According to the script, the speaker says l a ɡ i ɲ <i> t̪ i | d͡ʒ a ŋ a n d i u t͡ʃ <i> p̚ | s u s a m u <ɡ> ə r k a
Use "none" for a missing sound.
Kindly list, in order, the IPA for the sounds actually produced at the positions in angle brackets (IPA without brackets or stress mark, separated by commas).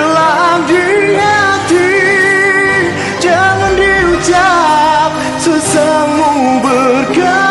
a, a, b